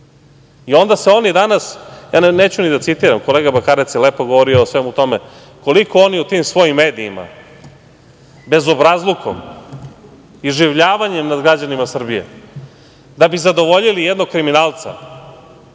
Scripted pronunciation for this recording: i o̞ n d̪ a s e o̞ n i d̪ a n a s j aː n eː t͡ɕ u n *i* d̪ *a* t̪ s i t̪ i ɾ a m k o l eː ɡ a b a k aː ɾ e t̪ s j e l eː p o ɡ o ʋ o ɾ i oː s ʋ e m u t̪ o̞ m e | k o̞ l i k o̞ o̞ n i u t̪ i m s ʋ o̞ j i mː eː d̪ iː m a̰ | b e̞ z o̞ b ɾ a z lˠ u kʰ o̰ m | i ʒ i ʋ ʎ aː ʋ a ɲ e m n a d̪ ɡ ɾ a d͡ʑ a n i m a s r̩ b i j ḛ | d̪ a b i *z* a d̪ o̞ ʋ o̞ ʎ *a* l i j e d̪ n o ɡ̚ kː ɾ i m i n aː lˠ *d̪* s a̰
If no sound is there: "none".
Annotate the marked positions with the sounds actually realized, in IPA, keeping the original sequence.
i, a, z, i, t̪

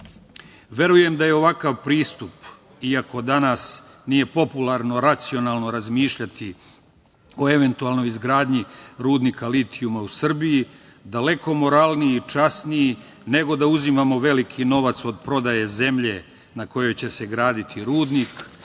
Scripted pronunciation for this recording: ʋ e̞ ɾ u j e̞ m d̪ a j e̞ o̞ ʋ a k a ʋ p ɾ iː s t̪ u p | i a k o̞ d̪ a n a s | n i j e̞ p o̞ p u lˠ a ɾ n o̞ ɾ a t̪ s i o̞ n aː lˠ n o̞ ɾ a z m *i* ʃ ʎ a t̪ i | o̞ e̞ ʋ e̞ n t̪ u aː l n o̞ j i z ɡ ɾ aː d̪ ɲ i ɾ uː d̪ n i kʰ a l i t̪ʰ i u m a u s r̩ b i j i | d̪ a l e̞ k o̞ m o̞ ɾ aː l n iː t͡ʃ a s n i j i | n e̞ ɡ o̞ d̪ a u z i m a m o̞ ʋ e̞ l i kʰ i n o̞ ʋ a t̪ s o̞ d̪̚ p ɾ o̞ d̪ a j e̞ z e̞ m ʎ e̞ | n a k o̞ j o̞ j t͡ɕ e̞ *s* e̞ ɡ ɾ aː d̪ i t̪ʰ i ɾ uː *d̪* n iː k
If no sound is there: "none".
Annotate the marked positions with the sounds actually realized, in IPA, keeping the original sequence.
iː, s, d̪

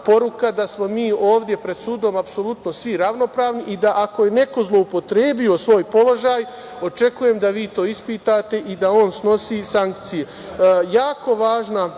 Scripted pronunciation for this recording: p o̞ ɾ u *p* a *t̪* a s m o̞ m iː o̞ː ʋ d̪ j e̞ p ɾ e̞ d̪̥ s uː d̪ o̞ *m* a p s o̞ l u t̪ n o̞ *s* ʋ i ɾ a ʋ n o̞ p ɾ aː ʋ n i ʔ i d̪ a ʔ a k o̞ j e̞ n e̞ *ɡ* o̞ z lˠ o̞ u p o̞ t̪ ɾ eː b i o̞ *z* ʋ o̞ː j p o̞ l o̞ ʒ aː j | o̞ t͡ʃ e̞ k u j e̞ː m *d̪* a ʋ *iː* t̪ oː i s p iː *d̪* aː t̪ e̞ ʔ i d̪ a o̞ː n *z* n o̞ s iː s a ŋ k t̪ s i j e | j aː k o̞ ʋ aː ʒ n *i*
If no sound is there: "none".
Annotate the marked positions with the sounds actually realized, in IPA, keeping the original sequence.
k, d̪, m, s, k, s, d̪, iː, t̪, s, a

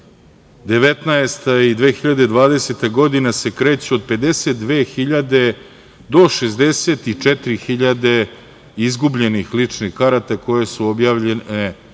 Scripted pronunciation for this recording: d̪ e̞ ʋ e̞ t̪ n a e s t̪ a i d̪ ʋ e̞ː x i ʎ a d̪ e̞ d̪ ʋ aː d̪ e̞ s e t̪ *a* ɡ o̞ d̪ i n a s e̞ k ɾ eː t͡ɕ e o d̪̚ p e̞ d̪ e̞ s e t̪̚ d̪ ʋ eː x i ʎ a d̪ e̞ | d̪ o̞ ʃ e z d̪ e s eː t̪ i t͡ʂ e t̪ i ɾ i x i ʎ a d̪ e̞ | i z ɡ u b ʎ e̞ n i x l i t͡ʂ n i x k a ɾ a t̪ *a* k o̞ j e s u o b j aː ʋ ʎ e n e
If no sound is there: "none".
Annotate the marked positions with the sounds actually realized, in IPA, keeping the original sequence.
a, a

